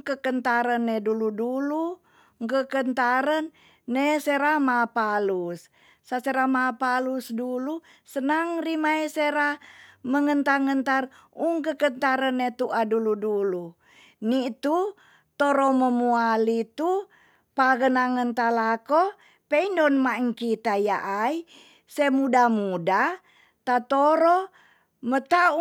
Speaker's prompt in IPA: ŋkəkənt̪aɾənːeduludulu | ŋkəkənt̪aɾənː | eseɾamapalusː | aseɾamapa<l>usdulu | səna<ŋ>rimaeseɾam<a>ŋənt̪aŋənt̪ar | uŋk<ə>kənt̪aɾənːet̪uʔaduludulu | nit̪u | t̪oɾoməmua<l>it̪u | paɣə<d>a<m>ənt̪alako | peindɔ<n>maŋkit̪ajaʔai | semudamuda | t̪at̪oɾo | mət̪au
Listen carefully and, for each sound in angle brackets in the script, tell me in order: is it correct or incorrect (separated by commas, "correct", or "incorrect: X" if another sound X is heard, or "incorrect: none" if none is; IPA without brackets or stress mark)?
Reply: correct, correct, incorrect: ə, correct, correct, incorrect: n, incorrect: ŋ, correct